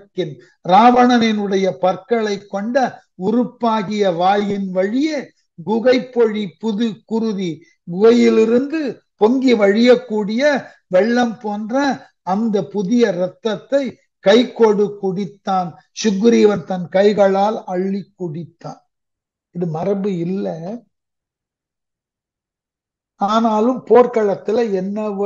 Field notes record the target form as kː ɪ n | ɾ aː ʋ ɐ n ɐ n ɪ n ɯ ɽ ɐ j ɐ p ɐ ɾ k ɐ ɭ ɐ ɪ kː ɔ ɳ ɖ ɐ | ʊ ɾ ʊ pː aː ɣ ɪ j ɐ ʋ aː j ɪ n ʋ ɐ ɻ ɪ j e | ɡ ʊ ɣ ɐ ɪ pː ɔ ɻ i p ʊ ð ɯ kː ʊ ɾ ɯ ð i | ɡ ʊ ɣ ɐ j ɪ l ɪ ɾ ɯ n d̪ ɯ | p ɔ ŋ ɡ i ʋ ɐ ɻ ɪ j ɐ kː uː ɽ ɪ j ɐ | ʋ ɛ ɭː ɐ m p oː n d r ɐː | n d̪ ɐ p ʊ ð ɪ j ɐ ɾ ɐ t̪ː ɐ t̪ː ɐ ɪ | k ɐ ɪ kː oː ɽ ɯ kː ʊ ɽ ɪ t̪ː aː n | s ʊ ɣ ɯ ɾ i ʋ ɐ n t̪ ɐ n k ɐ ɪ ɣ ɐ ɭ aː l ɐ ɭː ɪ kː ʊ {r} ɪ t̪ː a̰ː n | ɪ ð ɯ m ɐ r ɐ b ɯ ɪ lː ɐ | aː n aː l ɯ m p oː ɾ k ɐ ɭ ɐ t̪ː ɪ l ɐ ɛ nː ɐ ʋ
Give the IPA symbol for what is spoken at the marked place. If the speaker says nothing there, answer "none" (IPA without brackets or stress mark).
ɽ